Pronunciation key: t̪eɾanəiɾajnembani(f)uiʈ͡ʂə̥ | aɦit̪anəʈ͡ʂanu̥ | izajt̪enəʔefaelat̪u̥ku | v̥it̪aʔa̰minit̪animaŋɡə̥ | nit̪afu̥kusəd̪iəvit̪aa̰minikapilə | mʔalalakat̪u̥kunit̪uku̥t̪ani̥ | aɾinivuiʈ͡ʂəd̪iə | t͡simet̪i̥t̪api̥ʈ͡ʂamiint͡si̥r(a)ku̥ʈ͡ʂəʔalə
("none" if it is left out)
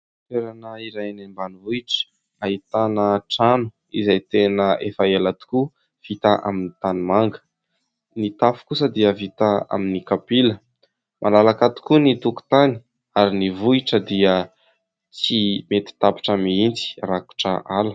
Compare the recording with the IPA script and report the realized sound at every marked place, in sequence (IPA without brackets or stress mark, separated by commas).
v, a